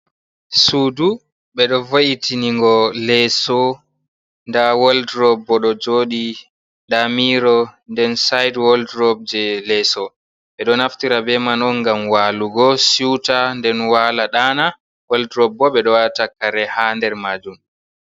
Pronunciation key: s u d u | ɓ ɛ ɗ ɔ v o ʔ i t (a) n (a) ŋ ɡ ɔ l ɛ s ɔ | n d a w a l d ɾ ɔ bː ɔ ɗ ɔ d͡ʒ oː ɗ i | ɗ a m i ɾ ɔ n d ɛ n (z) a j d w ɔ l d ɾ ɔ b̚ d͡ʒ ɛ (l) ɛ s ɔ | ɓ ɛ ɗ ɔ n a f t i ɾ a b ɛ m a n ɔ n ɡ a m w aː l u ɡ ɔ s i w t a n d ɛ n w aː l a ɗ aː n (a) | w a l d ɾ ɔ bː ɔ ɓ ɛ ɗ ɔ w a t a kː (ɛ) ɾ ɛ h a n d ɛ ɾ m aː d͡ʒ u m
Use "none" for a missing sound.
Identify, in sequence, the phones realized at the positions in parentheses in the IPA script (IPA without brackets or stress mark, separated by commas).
i, i, s, l, a, a